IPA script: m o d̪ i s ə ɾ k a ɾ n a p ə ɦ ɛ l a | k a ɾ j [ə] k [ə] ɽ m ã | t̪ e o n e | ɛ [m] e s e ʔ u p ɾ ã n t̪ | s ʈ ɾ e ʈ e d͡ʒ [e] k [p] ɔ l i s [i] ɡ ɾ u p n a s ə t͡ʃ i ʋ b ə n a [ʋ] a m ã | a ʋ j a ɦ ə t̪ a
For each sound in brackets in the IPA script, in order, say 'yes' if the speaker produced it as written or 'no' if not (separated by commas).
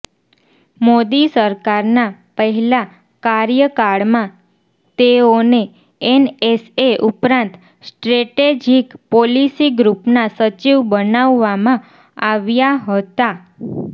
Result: yes, no, no, no, yes, yes, no